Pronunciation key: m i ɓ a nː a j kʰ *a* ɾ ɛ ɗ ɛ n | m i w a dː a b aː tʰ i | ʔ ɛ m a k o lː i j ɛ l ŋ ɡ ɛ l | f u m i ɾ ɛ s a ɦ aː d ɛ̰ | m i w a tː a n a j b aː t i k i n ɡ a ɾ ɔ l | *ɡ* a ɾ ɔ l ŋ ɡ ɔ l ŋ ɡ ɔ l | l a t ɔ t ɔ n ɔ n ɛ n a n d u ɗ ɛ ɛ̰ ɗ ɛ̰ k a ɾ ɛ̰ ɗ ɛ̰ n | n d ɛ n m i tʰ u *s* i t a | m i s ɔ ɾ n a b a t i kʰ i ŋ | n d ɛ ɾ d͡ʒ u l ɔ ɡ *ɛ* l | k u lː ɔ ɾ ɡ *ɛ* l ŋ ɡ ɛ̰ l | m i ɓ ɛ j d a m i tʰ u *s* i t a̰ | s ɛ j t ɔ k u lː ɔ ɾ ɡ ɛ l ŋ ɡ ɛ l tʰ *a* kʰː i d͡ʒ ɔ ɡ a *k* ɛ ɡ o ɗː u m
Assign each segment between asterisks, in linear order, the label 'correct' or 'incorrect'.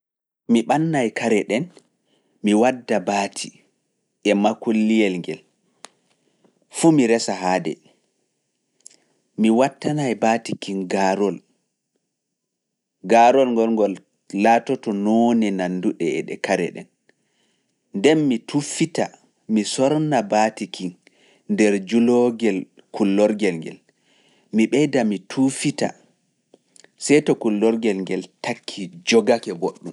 correct, correct, incorrect, correct, correct, incorrect, correct, correct

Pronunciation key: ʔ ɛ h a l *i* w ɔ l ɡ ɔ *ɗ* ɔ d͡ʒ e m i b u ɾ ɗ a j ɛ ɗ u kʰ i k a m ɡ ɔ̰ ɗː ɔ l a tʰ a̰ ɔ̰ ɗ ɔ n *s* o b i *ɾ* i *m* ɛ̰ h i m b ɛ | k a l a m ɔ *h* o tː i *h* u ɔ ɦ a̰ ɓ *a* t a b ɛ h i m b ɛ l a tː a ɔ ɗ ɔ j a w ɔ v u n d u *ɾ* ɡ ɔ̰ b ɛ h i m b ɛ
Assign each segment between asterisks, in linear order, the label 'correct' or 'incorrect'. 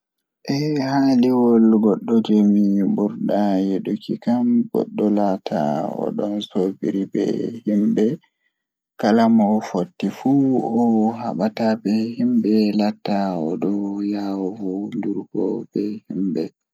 correct, incorrect, correct, correct, incorrect, incorrect, incorrect, correct, correct

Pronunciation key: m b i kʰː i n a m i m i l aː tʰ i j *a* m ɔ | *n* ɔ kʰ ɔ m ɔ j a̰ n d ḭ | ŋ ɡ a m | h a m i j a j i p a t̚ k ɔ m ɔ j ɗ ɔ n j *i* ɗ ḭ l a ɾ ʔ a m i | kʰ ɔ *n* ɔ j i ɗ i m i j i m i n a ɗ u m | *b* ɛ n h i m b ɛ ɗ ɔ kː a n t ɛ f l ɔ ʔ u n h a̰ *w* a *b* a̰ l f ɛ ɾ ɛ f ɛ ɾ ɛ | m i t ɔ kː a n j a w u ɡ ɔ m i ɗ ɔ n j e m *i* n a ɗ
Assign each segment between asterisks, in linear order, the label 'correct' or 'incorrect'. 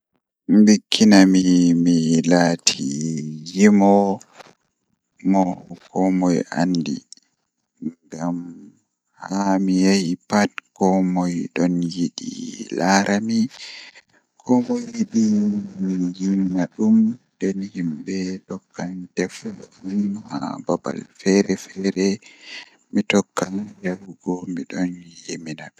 incorrect, incorrect, correct, incorrect, incorrect, incorrect, correct, correct

